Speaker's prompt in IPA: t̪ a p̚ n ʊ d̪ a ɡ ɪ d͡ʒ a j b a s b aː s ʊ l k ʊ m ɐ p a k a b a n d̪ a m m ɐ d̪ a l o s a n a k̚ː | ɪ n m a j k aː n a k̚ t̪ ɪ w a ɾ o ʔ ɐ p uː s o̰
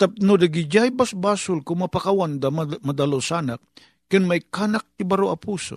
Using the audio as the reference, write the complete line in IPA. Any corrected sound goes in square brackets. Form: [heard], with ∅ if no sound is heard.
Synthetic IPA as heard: t̪ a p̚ n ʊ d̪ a ɡ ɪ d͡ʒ a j b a s b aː s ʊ l k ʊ m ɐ p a k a [w] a n d̪ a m m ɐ d̪ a l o s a n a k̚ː | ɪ n m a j k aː n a k̚ t̪ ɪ [b] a ɾ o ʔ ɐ p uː s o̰